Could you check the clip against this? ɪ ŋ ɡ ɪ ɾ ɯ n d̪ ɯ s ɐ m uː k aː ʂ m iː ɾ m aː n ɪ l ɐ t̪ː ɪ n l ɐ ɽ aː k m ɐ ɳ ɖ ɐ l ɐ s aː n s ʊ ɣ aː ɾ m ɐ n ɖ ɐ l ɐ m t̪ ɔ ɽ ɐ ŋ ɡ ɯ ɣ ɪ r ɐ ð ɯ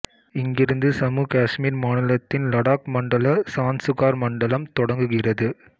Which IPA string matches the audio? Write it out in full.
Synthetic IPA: ɪ ŋ ɡ ɪ ɾ ɯ n d̪ ɯ s ɐ m uː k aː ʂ m iː ɾ m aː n ɪ l ɐ t̪ː ɪ n l ɐ ɽ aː k m ɐ ɳ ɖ ɐ l ɐ s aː n s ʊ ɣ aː ɾ m ɐ ɳ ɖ ɐ l ɐ m t̪ ɔ ɽ ɐ ŋ ɡ ɯ ɣ ɪ r ɐ ð ɯ